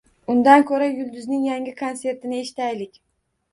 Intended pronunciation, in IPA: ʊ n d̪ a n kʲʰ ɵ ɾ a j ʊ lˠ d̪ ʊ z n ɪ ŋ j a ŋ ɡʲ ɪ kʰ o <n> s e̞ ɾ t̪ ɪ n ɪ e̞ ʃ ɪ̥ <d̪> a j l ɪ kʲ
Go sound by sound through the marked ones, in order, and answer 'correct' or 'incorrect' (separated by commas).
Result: correct, incorrect